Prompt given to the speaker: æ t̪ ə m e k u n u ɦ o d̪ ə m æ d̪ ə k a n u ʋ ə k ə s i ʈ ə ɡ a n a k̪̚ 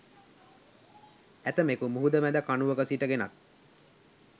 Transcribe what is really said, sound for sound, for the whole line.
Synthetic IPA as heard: æ t̪ ə m e k u m u ɦ u d̪ ə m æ d̪ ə k a n u ʋ ə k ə s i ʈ ə ɡ e n a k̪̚

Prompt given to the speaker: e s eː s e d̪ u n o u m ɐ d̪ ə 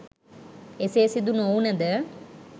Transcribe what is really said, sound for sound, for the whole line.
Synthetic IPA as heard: e s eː s i d̪ u n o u n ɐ d̪ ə

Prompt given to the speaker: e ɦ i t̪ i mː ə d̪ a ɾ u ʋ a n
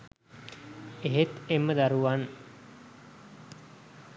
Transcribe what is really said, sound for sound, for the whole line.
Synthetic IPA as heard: e ɦ e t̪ e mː ə d̪ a ɾ u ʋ a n

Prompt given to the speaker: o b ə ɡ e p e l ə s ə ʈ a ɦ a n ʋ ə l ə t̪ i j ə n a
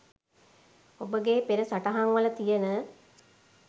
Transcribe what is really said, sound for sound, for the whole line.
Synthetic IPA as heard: o b ə ɡ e p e ɾ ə s a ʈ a ɦ a ŋ ʋ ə l ə t̪ i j ə n ə

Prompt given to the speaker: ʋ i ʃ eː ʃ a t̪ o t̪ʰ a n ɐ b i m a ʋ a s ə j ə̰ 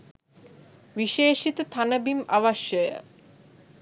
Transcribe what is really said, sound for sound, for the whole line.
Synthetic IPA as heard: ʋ i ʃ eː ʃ i t̪ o t̪ʰ a n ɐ b i m a ʋ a ʃ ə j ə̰

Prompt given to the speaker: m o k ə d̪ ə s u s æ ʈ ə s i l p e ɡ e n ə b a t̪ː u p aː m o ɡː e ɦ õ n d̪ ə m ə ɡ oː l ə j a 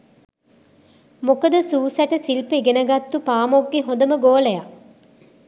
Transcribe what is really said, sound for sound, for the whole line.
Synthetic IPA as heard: m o k ə d̪ ə s uː s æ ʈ ə s i l p e ɡ e n ə ɡ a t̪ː u p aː m o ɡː e ɦ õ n d̪ ə m ə ɡ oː l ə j a

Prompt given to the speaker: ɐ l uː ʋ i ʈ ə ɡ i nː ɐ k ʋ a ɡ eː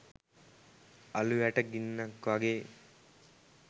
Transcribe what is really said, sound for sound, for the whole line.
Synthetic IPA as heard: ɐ l u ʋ æ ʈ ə ɡ i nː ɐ k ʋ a ɡ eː

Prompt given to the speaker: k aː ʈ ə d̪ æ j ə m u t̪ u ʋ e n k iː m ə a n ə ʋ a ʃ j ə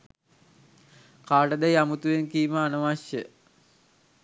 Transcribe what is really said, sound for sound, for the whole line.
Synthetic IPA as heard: k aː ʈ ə d̪ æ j a m u t̪ u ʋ e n k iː m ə a n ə ʋ a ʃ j ə

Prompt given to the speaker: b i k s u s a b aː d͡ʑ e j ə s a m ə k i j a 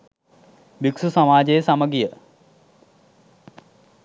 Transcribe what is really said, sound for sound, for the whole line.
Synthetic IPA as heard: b i k s u s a m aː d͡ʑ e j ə s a m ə ɡ i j ə

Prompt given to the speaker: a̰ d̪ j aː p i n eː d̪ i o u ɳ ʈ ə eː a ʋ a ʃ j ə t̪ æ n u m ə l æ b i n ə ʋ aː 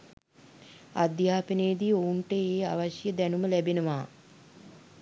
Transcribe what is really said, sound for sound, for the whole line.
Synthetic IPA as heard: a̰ d̪ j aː p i n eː d̪ i o u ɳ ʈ ə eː a ʋ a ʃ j ə d̪ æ n u m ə l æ b e n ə ʋ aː

